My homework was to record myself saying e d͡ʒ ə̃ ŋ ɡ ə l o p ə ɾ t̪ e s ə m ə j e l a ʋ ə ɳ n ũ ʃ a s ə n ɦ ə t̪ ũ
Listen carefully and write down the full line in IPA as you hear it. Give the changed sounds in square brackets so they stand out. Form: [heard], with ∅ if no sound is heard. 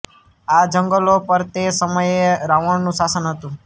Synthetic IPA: [a] d͡ʒ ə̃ ŋ ɡ ə l o p ə ɾ t̪ e s ə m ə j e [ɾ] a ʋ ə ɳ n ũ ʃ a s ə n ɦ ə t̪ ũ